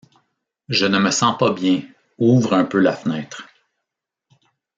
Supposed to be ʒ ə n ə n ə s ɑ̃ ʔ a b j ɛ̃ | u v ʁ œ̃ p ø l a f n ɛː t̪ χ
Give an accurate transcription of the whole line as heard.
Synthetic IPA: ʒ ə n ə m ə s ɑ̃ p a b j ɛ̃ | u v ʁ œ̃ p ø l a f n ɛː t̪ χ

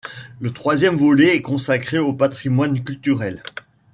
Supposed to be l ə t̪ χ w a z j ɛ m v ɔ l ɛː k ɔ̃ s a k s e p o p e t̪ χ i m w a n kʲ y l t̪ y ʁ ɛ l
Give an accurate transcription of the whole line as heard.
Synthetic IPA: l ə t̪ χ w a z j ɛ m v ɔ l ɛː k ɔ̃ s a k χ e o p a t̪ χ i m w a n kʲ y l t̪ y ʁ ɛ l

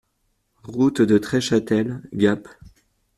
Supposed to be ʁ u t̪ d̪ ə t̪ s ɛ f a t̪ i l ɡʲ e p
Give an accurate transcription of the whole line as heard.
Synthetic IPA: ʁ u t̪ d̪ ə t̪ χ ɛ ʃ a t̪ ɛ l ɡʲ a p

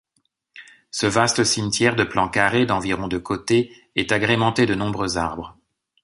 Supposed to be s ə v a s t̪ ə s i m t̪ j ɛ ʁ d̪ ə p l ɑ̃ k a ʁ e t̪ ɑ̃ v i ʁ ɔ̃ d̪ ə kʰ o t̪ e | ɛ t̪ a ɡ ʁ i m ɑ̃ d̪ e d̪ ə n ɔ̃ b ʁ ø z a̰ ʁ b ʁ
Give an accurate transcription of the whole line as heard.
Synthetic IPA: s ə v a s t̪ ə s i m t̪ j ɛ ʁ d̪ ə p l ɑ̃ k a ʁ e d̪ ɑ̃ v i ʁ ɔ̃ d̪ ə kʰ o t̪ e | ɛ t̪ a ɡ ʁ e m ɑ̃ t̪ e d̪ ə n ɔ̃ b ʁ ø z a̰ ʁ b ʁ

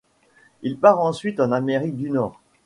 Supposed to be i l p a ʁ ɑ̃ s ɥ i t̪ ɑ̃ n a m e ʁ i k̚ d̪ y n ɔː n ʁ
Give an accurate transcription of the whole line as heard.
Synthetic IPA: i l p a ʁ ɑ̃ s ɥ i t̪ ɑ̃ n a m e ʁ i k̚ d̪ y n ɔː ʁ

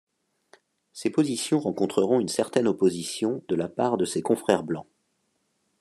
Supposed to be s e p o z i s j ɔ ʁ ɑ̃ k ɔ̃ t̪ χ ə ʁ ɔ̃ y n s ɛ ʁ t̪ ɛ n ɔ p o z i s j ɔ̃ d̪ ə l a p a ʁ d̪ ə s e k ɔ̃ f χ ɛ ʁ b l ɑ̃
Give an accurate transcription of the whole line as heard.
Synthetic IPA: s e p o z i s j ɔ̃ ʁ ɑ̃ k ɔ̃ t̪ χ ə ʁ ɔ̃ y n s ɛ ʁ t̪ ɛ n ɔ p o z i s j ɔ̃ d̪ ə l a p a ʁ d̪ ə s e k ɔ̃ f χ ɛ ʁ b l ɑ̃

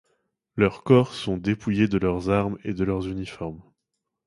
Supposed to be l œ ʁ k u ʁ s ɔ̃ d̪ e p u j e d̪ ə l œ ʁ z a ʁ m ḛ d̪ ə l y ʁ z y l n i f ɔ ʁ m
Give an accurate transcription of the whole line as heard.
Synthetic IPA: l œ ʁ k ɔ ʁ s ɔ̃ d̪ e p u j e d̪ ə l œ ʁ z a ʁ m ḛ d̪ ə l œ ʁ z y n i f ɔ ʁ m

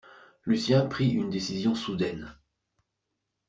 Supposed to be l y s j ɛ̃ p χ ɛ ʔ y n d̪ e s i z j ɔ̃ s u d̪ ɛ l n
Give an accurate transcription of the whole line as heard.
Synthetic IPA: l y s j ɛ̃ p χ i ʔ y n d̪ e s i z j ɔ̃ s u d̪ ɛ n

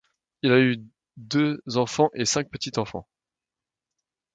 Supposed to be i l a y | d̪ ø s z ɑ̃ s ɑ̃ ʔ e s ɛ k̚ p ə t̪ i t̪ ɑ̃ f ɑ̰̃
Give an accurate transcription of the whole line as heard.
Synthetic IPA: i l a y | d̪ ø z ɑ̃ f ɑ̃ ʔ e s ɛ̃ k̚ p ə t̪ i t̪ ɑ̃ f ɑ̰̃

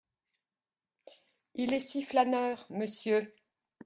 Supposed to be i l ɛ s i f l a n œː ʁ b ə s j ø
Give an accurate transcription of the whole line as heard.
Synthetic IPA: i l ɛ s i f l a n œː ʁ m ə s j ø

